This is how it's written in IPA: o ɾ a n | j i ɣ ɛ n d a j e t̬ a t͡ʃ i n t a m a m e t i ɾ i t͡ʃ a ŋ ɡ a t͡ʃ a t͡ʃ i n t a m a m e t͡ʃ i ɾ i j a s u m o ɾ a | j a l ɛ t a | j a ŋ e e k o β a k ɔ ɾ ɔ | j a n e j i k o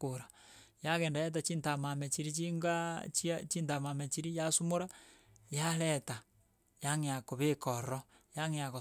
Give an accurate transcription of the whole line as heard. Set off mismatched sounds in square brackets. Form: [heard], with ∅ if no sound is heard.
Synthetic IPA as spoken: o ɾ a [∅] | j [a] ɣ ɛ n d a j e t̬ a t͡ʃ i n t a m a m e [t͡ʃ] i ɾ i t͡ʃ [i] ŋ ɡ a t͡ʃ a t͡ʃ i n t a m a m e t͡ʃ i ɾ i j a s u m o ɾ a | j a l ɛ t a | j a ŋ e [a] k o β [e] k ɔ ɾ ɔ | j a [ŋ] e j [a] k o

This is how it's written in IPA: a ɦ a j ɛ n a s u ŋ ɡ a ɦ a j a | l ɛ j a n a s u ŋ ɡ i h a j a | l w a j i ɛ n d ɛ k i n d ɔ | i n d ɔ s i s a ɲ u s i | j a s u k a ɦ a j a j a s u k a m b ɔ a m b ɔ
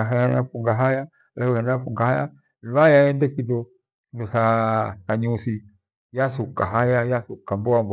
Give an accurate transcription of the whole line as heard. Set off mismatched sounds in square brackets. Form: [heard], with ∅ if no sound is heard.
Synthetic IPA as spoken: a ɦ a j [a] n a [f] u ŋ ɡ a ɦ a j a | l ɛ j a n a [f] u ŋ ɡ [a] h a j a | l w a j [a] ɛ n d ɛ k i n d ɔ | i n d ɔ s [a] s a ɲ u s i | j a s u k a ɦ a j a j a s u k a m b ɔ a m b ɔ

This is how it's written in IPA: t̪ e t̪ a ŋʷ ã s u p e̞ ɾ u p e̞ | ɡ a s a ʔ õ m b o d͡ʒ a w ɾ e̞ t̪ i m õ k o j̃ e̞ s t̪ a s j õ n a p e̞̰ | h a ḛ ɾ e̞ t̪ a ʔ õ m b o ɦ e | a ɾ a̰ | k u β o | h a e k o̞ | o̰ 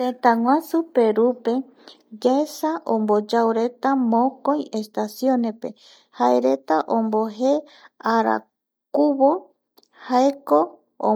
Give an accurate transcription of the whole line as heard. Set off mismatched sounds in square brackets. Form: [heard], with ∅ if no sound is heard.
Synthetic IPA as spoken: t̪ e t̪ a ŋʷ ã s u p e̞ ɾ u p e̞ | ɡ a s a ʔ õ m b o d͡ʒ a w ɾ e̞ t̪ [a] m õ k o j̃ e̞ s t̪ a s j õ n [e] p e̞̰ | h a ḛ ɾ e̞ t̪ a ʔ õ m b o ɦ e | a ɾ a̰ | k u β o | h a e k o̞ | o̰

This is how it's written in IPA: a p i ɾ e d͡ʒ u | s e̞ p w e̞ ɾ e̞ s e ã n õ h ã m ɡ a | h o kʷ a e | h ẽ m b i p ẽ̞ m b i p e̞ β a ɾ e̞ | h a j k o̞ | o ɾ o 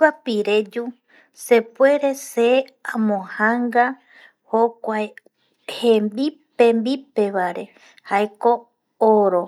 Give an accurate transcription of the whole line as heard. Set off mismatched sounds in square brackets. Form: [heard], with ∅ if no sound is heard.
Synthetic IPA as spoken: a p i ɾ e d͡ʒ u | s e̞ p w e̞ ɾ e̞ s e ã [m] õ h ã [ŋ] ɡ a | h o kʷ a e | h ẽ m b i p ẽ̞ m b i p e̞ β a ɾ e̞ | h a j k o̞ | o ɾ o

